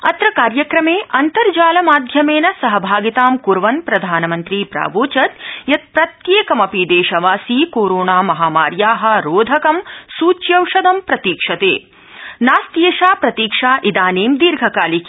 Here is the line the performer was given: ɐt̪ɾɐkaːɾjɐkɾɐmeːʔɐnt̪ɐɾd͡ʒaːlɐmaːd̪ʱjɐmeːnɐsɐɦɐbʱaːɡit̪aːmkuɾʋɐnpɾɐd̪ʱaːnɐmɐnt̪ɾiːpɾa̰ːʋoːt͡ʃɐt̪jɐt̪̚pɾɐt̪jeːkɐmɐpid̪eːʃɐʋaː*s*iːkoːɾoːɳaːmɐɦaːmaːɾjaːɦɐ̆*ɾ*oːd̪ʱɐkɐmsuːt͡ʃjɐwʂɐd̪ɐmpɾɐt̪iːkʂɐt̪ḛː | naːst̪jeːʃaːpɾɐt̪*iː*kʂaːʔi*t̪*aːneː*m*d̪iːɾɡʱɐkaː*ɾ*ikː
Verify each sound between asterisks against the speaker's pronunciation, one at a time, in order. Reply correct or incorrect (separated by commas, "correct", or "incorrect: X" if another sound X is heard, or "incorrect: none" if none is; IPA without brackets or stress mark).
correct, correct, correct, incorrect: d̪, correct, incorrect: l